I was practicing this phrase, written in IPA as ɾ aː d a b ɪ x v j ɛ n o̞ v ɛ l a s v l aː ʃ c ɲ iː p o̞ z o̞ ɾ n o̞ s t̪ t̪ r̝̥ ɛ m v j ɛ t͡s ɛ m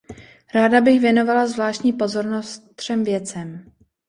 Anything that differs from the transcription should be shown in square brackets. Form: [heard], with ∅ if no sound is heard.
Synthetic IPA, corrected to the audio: ɾ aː d a b ɪ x v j ɛ n o̞ v [a] l a [z] v l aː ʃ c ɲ iː p o̞ z o̞ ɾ n o̞ s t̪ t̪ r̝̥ ɛ m v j ɛ t͡s ɛ m